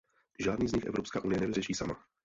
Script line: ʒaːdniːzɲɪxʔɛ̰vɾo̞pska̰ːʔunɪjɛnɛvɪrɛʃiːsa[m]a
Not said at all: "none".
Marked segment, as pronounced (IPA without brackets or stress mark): m